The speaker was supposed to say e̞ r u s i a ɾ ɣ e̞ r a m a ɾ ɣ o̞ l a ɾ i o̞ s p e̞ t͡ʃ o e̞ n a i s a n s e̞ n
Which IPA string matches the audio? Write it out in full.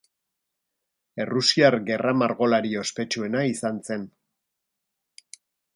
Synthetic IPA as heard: e̞ r u s i a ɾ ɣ e̞ r a m a ɾ ɣ o̞ l a ɾ i o̞ s p e̞ t͡ʃ u e̞ n a i s a n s e̞ n